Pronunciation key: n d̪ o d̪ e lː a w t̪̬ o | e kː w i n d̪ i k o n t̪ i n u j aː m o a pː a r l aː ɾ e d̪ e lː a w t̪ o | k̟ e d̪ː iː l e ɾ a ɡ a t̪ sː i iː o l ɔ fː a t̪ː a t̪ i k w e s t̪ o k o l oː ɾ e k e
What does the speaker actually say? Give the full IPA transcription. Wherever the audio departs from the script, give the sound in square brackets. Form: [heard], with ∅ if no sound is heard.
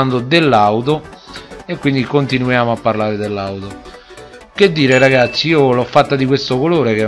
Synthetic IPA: n d̪ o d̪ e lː a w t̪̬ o | e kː w i n d̪ i k o n t̪ i n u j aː m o a pː a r l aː ɾ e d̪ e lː a w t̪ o | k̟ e d̪ː iː [ɾ] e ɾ a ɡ a t̪ sː i iː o l ɔ fː a t̪ː a [d̪] i k w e s t̪ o k o l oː ɾ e k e